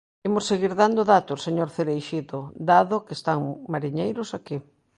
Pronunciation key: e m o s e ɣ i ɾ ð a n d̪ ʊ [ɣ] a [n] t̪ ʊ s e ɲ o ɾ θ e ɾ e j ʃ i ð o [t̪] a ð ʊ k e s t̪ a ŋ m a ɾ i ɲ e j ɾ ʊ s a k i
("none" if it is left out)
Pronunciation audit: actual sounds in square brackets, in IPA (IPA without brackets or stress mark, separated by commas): ð, none, d̪